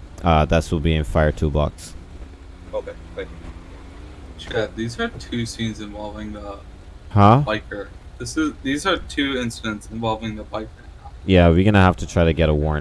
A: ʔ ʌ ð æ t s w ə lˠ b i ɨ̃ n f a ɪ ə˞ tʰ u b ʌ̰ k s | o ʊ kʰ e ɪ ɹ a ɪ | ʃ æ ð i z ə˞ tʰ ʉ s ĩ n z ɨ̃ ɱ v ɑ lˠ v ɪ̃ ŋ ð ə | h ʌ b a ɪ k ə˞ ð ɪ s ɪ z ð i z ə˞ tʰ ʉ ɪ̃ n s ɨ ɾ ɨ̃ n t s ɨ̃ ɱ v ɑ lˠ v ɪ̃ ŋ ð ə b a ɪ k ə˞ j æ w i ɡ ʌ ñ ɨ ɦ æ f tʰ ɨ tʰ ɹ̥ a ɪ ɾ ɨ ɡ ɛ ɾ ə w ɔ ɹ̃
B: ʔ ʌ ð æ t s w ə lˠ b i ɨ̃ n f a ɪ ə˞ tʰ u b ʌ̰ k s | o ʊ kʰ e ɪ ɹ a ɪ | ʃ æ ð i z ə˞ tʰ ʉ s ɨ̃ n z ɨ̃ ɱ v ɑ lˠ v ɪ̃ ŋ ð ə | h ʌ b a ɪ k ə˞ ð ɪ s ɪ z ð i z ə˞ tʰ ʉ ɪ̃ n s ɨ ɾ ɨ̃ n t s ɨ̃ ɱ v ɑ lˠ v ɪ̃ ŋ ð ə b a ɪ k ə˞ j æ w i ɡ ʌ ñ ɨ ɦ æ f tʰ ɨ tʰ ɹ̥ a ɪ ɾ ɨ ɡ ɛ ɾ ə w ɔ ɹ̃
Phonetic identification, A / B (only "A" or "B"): A